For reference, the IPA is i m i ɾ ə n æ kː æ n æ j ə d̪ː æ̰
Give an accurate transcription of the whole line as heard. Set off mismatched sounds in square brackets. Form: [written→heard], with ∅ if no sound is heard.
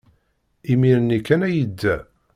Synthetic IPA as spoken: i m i ɾ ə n [æ→i] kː æ n æ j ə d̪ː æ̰